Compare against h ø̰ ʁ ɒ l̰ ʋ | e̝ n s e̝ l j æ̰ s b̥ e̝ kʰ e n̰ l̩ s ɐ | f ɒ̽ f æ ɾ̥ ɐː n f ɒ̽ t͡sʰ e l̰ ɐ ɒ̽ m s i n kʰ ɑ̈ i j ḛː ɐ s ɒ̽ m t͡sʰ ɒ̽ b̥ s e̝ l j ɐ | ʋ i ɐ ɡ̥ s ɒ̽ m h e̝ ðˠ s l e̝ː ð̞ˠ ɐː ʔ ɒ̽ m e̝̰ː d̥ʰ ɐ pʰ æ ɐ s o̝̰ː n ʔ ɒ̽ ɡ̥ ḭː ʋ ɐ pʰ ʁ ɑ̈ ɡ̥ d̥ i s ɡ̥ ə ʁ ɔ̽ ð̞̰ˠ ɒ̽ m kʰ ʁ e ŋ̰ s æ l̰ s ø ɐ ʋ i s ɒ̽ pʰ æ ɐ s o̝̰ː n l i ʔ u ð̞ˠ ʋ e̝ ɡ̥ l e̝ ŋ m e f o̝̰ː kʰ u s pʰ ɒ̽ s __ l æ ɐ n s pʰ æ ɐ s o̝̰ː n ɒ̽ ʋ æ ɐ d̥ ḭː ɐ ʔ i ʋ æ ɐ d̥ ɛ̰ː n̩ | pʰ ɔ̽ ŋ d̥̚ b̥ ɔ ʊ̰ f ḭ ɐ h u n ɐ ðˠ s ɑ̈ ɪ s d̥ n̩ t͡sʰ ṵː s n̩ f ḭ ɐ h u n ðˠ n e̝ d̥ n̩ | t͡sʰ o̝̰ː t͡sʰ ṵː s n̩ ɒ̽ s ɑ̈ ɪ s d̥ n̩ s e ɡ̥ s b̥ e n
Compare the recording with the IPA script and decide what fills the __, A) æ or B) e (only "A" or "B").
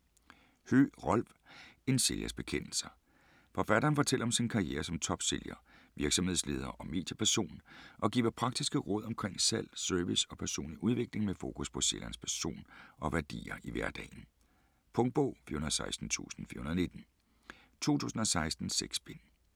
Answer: B